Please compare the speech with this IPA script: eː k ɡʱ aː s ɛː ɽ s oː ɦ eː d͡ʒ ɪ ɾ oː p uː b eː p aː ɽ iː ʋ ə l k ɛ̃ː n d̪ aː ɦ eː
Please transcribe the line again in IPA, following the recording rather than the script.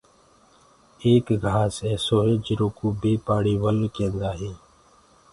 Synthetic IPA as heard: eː k ɡʱ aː s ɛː s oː ɦ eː d͡ʒ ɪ ɾ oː k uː b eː p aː ɽ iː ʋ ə l k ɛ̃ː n d̪ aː ɦ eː